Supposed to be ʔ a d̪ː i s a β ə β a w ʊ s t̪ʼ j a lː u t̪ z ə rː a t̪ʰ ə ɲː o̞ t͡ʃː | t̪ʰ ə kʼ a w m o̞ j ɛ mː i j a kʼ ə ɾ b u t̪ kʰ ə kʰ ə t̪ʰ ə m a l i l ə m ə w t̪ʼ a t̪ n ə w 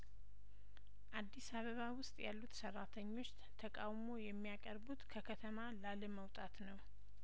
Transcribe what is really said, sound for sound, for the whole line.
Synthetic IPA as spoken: ʔ a d̪ː i s a β ə β a w ʊ s t̪ʼ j a lː u t̪ s ə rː a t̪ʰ ə ɲː o̞ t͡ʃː | t̪ʰ ə kʼ a w m o̞ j ɛ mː i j a kʼ ə ɾ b u t̪ kʰ ə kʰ ə t̪ʰ ə m a l a l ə m ə w t̪ʼ a t̪ n ə w